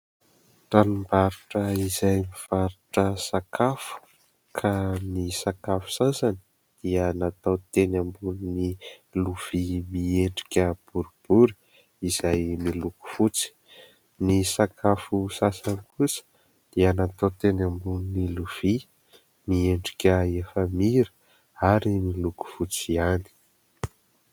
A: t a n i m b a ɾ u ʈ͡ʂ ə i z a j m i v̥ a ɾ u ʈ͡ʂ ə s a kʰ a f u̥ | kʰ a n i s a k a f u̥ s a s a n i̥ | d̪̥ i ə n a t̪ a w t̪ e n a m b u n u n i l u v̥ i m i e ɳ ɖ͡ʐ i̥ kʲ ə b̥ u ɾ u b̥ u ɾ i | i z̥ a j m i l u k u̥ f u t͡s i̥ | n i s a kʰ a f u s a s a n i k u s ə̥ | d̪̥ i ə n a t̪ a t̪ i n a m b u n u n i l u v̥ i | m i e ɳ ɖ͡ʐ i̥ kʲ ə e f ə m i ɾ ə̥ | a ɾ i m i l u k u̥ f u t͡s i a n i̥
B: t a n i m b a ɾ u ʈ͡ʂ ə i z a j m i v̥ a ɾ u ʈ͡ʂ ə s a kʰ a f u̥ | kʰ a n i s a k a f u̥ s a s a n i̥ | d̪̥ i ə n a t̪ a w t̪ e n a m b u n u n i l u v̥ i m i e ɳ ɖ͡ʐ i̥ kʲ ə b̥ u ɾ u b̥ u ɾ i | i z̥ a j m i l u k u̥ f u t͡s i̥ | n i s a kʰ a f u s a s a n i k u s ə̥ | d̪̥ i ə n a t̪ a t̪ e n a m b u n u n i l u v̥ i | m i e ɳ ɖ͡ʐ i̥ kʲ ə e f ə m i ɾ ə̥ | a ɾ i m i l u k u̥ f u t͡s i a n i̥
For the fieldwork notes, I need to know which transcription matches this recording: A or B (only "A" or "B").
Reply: B